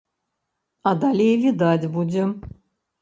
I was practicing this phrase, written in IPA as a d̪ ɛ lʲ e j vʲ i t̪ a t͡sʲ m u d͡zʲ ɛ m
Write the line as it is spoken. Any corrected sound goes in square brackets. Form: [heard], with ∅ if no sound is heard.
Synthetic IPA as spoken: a d̪ [a] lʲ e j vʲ i [d̪] a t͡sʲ [b] u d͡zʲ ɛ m